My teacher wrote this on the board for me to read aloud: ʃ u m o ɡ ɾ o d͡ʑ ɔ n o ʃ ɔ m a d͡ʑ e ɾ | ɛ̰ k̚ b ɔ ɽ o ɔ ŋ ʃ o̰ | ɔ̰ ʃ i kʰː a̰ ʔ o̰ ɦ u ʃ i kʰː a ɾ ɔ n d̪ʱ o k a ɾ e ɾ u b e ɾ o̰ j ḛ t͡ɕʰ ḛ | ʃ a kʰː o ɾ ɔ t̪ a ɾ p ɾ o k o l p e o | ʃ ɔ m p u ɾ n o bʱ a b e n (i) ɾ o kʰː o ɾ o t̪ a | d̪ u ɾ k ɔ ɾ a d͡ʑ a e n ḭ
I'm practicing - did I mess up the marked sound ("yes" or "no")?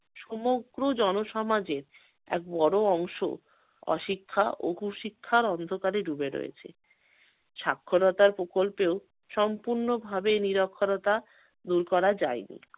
no